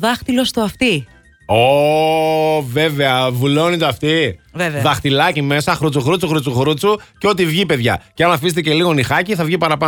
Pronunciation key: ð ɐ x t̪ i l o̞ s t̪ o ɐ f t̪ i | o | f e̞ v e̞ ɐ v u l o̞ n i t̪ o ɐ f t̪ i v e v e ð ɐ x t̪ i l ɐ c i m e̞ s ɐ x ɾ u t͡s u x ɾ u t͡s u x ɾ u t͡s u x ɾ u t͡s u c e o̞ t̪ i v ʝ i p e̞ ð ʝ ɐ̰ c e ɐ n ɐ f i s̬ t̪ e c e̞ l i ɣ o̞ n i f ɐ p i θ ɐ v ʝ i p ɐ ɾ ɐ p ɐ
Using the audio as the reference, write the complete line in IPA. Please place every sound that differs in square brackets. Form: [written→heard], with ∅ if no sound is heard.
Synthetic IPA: ð ɐ x t̪ i l o̞ s t̪ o ɐ f t̪ i | o | [f→v] e̞ v e̞ ɐ v u l o̞ n i t̪ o ɐ f t̪ i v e v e ð ɐ x t̪ i l ɐ c i m e̞ s ɐ x ɾ u t͡s u x ɾ u t͡s u x ɾ u t͡s u x ɾ u t͡s u c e o̞ t̪ i v ʝ i p e̞ ð ʝ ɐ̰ c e ɐ n ɐ f i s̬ t̪ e c e̞ l i ɣ o̞ n i [f→x] ɐ [p→c] i θ ɐ v ʝ i p ɐ ɾ ɐ p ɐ